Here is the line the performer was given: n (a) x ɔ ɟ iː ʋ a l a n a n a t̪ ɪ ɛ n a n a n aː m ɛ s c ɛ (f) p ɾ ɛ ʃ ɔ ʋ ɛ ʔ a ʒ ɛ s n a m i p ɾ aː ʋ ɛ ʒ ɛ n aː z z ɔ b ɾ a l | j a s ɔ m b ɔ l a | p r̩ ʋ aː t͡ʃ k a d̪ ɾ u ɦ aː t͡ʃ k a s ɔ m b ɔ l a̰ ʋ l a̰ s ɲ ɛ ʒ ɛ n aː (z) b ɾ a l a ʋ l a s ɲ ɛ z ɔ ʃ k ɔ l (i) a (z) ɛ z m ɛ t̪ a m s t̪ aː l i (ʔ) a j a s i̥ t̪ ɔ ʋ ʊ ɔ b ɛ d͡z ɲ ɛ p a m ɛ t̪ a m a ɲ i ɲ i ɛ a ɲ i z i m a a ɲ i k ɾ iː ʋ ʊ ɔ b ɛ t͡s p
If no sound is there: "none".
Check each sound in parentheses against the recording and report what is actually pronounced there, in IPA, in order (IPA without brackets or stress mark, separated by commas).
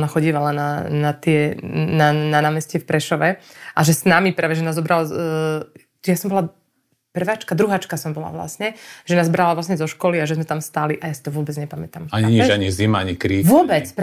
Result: a, f, z, i, ʒ, ʔ